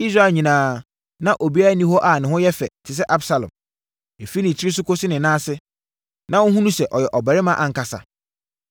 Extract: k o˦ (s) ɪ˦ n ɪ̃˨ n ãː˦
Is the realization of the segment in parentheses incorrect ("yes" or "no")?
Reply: no